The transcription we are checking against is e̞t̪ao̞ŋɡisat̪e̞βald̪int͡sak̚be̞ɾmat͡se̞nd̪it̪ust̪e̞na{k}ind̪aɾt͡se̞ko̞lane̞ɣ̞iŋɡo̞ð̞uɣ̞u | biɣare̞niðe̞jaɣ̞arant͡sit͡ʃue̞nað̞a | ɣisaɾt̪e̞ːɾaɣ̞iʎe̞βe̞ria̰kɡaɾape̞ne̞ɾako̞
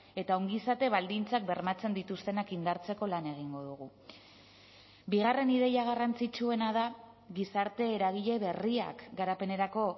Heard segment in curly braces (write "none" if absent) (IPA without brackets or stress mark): k